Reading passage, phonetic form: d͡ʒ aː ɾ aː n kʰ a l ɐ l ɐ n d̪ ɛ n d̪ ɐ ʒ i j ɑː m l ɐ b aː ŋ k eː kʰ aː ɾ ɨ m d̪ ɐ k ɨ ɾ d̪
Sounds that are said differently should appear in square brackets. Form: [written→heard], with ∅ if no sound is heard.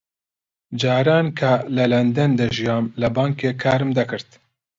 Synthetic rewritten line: d͡ʒ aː ɾ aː n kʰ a l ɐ l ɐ n d̪ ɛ n d̪ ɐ ʒ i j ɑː m l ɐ b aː ŋ k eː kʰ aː ɾ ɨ m d̪ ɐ k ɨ ɾ [d̪→t̪]